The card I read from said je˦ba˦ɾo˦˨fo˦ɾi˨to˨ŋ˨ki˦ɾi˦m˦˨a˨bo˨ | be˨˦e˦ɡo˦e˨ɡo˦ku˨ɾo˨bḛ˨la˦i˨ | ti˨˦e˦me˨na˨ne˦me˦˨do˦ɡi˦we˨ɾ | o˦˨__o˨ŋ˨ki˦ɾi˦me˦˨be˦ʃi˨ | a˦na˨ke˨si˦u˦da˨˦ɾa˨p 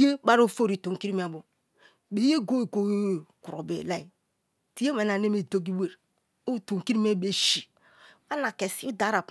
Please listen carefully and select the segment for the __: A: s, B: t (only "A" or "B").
B